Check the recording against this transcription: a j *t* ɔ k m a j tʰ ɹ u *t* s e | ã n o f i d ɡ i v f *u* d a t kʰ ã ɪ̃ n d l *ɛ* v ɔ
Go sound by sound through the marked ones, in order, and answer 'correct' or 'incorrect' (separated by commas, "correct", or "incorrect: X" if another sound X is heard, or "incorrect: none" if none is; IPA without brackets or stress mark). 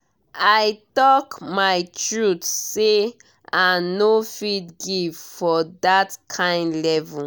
correct, correct, incorrect: ɔ, correct